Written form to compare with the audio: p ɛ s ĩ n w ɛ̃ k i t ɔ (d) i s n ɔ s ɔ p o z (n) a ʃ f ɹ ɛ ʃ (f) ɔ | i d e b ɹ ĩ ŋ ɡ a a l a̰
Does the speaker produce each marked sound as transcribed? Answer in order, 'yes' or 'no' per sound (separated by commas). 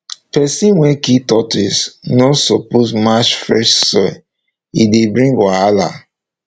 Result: no, no, no